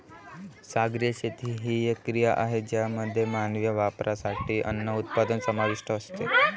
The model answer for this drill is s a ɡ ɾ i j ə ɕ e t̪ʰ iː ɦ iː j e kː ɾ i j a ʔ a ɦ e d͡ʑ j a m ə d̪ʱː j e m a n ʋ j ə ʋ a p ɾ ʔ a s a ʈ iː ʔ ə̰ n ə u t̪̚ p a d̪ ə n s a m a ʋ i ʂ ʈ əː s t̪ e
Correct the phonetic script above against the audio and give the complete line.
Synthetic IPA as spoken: s a ɡ ɾ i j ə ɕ e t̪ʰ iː ɦ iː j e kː ɾ i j a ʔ a ɦ e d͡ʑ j a m ə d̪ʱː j e m a n ʋ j ə ʋ a p ɾ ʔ a s a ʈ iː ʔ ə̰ nː ə u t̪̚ p a d̪ ə n s ə m a ʋ i ʂ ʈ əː s t̪ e